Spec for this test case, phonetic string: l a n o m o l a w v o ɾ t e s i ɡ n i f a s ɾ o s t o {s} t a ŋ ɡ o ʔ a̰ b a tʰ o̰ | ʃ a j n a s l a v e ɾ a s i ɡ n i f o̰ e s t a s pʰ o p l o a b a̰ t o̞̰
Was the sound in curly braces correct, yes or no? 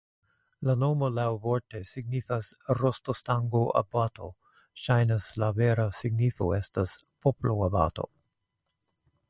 yes